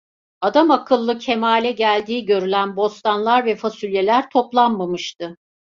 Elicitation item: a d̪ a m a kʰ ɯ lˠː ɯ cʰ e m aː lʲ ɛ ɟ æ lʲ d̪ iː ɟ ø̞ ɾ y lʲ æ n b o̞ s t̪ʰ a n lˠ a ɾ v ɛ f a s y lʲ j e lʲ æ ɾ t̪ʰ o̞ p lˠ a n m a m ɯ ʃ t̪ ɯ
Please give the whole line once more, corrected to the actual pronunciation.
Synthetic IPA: a d̪ a m a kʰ ɯ lˠː ɯ cʰ e m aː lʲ ɛ ɟ æ lʲ d̪ iː ɟ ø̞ ɾ y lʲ æ n b o̞ s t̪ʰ a n lˠ a ɾ v ɛ f a s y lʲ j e lʲ æ ɾ t̪ʰ o̞ p lˠ a n m a m ɯ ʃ t̪ ɯ